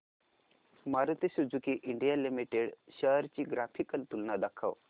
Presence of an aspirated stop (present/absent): present